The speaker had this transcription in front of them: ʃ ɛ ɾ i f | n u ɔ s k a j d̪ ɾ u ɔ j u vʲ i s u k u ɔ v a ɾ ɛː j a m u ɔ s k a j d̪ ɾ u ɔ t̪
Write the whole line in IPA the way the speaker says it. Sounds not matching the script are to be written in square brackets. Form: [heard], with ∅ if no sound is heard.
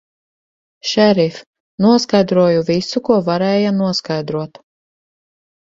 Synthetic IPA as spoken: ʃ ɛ ɾ i f | n u ɔ s k a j d̪ ɾ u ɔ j u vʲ i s u k u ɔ v a ɾ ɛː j a [n] u ɔ s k a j d̪ ɾ u ɔ t̪